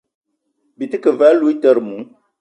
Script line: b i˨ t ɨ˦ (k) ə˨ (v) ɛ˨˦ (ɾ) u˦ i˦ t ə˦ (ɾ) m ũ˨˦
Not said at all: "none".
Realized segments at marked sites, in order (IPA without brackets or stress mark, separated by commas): k, v, l, ɾ